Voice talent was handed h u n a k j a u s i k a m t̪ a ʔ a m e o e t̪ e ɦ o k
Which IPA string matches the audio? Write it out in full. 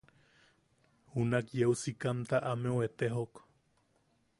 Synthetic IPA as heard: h u n a k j e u s i k a m t̪ a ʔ a m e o e t̪ e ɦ o k